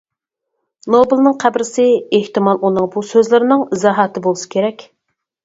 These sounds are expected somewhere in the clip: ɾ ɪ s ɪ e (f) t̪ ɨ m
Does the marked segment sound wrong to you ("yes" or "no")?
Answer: yes